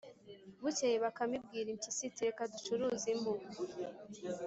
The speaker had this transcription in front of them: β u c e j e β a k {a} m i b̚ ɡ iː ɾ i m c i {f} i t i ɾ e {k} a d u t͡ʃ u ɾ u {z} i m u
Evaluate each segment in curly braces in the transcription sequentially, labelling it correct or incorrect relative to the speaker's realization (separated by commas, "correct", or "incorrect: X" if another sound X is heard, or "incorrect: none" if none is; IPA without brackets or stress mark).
correct, incorrect: s, correct, correct